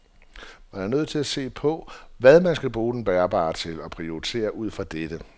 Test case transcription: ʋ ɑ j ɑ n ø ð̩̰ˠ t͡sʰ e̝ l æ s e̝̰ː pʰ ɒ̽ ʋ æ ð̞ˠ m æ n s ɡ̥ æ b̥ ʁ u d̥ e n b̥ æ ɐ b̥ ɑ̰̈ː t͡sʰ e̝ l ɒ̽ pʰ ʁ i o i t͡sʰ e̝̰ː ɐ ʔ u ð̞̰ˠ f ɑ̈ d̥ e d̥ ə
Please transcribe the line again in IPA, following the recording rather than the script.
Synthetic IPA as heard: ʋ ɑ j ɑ n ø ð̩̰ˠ t͡sʰ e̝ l æ s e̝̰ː pʰ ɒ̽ ʋ æ ð̞ˠ m æ n s ɡ̥ æ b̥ ʁ uː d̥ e n b̥ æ ɐ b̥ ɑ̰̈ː t͡sʰ e̝ l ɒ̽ pʰ ʁ i o i t͡sʰ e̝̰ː ɐ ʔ u ð̞̰ˠ f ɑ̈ d̥ e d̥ ə